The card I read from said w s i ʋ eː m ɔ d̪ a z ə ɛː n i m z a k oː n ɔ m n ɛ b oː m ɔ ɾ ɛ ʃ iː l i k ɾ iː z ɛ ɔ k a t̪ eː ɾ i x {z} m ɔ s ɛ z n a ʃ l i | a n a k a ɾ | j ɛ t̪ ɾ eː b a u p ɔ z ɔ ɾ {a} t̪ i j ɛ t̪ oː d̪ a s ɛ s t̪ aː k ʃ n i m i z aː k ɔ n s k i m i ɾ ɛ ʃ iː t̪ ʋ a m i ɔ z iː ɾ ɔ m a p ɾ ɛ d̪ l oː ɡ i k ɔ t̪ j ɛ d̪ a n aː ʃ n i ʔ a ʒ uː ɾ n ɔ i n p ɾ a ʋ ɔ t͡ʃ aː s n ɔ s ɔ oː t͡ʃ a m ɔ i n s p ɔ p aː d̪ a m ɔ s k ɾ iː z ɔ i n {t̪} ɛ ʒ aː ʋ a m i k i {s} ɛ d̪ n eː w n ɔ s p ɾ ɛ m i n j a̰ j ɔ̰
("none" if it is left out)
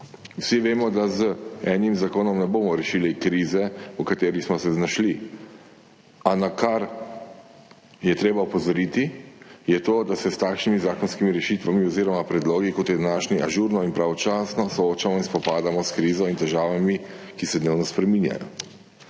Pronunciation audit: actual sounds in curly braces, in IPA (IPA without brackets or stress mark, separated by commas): s, i, t̪, s